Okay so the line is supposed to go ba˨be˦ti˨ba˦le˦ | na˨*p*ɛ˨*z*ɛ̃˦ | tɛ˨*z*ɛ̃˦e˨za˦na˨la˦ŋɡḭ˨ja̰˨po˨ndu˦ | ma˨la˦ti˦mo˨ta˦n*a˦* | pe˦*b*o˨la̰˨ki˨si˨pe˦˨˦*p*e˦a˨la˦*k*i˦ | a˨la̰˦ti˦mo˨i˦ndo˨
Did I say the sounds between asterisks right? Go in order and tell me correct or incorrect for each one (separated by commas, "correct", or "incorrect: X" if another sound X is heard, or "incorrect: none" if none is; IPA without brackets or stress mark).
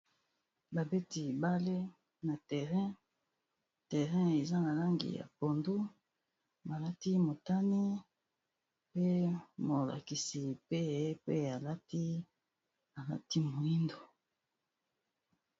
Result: incorrect: t, incorrect: ʁ, incorrect: ʁ, incorrect: i˦, incorrect: m, correct, incorrect: t